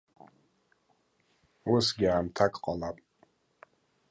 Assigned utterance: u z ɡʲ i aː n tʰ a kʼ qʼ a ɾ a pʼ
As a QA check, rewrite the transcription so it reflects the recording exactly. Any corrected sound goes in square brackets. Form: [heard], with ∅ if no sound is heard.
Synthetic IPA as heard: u [s] ɡʲ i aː [m] tʰ a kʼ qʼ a [l] a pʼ